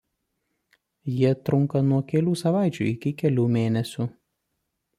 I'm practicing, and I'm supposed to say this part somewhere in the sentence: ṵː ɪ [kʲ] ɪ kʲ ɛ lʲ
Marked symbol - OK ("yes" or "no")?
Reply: yes